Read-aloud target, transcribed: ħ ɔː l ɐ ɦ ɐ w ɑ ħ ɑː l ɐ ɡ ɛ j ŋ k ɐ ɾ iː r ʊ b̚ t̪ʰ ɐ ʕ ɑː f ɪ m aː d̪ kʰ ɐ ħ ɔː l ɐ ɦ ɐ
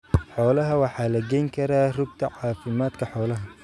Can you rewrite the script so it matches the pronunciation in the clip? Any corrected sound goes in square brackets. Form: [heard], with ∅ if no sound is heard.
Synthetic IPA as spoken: ħ ɔː l ɐ ɦ ɐ w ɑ ħ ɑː l ɐ ɡ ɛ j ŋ [kʰ] ɐ ɾ [aː] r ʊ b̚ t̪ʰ ɐ ʕ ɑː f ɪ m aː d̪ kʰ ɐ ħ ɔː l ɐ ɦ ɐ

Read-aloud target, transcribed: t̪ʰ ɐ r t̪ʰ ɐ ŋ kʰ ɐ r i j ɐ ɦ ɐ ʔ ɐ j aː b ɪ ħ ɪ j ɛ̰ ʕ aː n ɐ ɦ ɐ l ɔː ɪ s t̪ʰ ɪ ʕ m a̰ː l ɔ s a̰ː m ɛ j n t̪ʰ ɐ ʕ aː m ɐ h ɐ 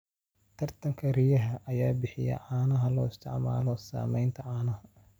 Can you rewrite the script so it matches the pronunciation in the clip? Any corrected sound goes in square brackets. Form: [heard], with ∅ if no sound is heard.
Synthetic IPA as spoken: t̪ʰ ɐ r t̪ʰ ɐ ŋ kʰ ɐ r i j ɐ ɦ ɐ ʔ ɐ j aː b ɪ ħ ɪ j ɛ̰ ʕ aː n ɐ ɦ ɐ l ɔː ɪ s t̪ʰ ɪ ʕ m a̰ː l ɔ s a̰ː m ɛ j n t̪ʰ ɐ ʕ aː [n] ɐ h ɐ

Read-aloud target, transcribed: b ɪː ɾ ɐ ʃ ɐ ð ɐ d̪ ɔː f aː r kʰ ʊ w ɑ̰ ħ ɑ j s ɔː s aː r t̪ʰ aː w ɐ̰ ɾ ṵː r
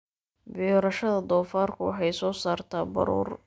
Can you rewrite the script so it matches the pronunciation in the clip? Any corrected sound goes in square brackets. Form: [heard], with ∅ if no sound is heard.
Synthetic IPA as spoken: b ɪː ɾ ɐ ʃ ɐ ð ɐ d̪ ɔː f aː r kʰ ʊ w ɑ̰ ħ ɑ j s ɔː s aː r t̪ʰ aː [b] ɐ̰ ɾ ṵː r

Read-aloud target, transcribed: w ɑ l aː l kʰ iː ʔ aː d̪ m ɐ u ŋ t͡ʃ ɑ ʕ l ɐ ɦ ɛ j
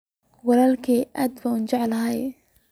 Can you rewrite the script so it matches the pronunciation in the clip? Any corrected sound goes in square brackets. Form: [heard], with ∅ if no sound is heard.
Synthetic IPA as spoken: w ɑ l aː l kʰ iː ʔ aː d̪ [b] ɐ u [n] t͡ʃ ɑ ʕ l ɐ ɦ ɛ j

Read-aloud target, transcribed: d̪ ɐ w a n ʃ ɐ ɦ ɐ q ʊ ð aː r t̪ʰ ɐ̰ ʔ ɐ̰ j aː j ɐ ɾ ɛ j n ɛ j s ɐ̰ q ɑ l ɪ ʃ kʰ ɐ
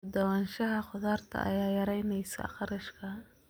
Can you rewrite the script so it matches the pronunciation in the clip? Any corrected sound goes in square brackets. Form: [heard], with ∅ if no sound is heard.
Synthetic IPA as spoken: d̪ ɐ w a n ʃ ɐ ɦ ɐ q ʊ ð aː r t̪ʰ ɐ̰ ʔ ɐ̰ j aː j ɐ ɾ ɛ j n ɛ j s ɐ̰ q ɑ [ɾ] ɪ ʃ kʰ ɐ

